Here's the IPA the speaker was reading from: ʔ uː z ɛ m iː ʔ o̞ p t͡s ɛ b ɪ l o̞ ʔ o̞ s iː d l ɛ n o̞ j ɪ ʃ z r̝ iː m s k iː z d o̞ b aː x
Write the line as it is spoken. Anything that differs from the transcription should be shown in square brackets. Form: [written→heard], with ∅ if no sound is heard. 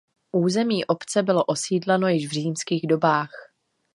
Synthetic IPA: ʔ uː z ɛ m iː ʔ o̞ p t͡s ɛ b ɪ l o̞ ʔ o̞ s iː d l ɛ n o̞ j ɪ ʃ [z→v] r̝ iː m s k iː [z→ɣ] d o̞ b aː x